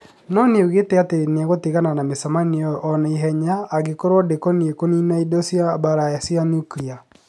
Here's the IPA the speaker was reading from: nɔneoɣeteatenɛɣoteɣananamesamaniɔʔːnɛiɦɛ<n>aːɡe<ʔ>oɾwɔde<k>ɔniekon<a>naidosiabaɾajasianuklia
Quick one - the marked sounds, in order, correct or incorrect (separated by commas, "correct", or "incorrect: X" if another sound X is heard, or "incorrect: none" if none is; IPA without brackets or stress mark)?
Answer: incorrect: ɲ, incorrect: k, correct, incorrect: i